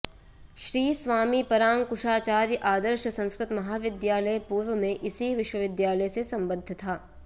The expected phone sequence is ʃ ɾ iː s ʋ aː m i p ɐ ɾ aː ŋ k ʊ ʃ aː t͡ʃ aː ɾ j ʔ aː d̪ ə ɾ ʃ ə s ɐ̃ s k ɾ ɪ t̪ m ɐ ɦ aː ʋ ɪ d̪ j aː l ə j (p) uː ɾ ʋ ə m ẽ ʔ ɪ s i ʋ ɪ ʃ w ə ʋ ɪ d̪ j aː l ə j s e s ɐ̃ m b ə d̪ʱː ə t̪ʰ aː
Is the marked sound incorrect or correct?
correct